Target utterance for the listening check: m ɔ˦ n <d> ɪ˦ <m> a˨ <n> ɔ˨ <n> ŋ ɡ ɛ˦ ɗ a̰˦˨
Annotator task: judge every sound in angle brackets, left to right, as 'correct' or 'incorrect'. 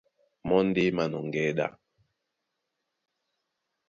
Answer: correct, correct, correct, incorrect

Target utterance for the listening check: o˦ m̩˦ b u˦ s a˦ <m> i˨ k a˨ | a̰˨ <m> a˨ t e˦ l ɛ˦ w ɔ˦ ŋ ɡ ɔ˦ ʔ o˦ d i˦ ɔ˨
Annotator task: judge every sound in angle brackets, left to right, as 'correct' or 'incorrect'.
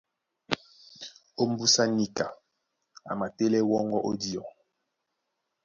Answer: incorrect, correct

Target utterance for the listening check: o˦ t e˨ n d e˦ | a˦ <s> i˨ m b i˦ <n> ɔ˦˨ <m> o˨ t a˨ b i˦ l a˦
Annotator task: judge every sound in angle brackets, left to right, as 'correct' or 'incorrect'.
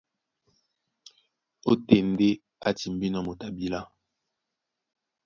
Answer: incorrect, correct, correct

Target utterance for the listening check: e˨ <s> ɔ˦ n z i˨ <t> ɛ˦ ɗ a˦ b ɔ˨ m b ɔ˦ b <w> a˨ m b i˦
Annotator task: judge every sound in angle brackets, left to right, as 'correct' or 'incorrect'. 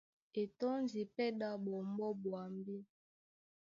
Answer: incorrect, incorrect, correct

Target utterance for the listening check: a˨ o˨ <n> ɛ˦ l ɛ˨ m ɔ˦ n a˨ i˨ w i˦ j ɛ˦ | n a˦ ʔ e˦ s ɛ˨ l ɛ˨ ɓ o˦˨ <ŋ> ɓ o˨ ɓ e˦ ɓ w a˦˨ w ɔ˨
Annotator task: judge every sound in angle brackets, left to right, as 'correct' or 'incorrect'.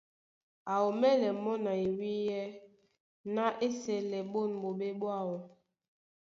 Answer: incorrect, incorrect

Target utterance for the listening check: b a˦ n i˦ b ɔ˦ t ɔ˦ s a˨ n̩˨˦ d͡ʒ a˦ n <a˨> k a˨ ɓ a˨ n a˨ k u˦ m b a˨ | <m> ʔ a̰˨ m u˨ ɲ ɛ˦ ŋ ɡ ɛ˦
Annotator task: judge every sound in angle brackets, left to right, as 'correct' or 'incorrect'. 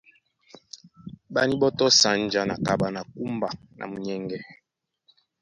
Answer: correct, incorrect

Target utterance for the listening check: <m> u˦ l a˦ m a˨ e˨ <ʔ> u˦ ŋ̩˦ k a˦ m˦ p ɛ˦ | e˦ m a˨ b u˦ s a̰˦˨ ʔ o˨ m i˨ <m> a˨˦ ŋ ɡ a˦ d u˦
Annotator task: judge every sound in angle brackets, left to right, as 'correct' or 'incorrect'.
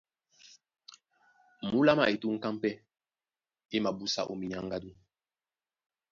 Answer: correct, incorrect, incorrect

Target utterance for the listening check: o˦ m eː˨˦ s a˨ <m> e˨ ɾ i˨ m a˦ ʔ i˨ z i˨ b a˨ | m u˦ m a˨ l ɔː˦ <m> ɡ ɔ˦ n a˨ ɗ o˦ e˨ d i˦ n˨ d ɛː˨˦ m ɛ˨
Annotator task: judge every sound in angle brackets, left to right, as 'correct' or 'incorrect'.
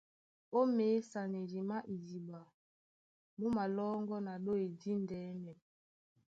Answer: incorrect, incorrect

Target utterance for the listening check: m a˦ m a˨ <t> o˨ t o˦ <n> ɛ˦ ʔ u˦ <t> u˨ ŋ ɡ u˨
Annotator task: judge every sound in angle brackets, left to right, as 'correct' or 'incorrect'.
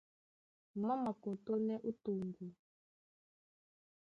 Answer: incorrect, correct, correct

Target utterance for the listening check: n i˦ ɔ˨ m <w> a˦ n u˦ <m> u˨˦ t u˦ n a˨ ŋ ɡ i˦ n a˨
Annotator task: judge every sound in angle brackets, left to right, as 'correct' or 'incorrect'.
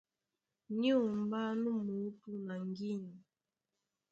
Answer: incorrect, correct

